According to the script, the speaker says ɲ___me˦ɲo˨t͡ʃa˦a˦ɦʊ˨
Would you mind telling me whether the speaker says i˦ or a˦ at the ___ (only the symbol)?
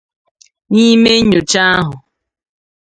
i˦